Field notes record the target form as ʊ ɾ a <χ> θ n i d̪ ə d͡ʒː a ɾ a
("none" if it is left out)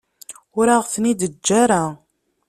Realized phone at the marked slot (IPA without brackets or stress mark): ʁ